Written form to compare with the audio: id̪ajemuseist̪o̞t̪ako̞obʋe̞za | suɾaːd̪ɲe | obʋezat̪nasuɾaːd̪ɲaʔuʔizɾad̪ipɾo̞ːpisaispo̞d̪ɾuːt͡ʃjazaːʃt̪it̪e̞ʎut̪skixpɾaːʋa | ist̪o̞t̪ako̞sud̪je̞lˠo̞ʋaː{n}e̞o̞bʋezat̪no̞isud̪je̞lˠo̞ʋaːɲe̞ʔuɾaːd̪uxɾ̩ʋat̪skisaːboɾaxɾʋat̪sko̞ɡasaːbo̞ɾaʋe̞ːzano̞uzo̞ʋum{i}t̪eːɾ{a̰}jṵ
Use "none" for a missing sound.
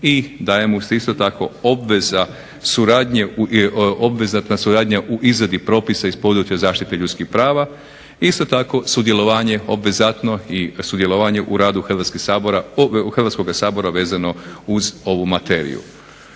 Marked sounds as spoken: ɲ, a, ḭ

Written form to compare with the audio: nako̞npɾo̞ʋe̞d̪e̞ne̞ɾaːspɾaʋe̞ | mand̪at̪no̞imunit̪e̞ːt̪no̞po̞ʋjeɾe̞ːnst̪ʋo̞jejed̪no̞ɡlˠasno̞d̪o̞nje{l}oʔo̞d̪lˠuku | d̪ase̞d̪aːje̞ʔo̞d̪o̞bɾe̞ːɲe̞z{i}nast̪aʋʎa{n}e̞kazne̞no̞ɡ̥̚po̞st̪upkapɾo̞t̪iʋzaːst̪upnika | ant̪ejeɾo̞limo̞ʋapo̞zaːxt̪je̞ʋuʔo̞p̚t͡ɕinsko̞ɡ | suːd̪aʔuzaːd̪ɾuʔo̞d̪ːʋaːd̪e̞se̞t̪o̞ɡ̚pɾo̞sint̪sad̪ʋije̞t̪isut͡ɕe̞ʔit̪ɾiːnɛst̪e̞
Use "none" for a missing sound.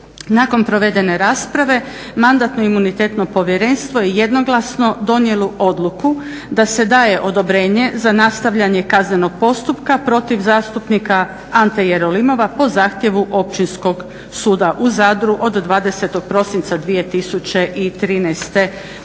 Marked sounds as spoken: l, a, ɲ

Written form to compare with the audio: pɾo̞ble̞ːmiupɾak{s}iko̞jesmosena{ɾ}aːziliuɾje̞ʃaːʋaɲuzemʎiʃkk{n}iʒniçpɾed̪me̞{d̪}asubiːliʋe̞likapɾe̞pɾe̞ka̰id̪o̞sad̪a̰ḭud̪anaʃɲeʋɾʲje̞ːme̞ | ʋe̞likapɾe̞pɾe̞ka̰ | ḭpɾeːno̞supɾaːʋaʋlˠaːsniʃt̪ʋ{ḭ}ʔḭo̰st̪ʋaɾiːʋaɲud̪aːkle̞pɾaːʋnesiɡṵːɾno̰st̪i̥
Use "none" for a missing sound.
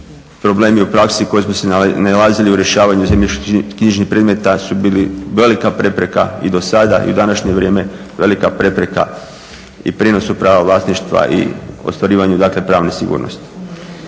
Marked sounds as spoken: s, l, ɲ, t̪, a̰

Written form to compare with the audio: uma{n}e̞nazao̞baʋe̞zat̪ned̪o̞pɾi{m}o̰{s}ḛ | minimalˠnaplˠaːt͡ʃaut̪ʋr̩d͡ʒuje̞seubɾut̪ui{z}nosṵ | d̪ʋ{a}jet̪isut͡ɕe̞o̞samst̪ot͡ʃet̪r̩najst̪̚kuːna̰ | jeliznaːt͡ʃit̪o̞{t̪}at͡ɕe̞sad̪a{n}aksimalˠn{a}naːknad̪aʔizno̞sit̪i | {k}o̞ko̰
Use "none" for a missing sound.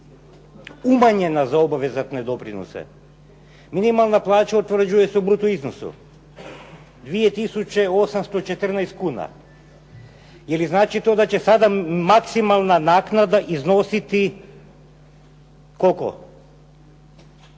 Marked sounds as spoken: ɲ, n, s, z, i, d̪, m, a, k

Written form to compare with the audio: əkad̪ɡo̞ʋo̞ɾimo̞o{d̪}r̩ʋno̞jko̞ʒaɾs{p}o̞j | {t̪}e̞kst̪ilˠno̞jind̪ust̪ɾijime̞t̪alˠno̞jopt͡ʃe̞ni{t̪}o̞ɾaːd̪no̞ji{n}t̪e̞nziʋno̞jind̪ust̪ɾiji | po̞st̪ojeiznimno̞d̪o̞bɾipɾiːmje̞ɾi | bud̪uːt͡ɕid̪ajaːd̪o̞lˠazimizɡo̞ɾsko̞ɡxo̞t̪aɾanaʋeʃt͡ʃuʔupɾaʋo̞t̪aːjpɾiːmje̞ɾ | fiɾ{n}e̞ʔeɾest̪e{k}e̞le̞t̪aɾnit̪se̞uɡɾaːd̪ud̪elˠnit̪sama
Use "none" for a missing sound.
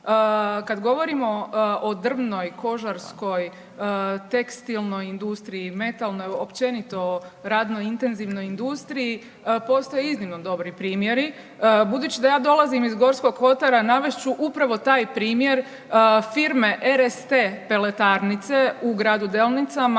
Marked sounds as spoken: d̪, k, t̪, t̪, n, m, p

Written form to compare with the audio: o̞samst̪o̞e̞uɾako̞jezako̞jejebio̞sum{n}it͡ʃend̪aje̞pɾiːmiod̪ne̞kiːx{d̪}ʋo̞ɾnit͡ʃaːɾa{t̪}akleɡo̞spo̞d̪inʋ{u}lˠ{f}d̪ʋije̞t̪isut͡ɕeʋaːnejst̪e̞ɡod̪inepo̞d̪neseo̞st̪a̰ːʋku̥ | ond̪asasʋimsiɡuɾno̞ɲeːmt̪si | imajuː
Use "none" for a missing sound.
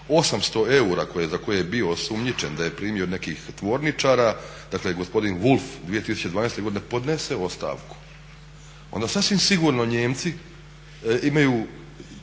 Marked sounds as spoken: ɲ, t̪, d̪, u, f

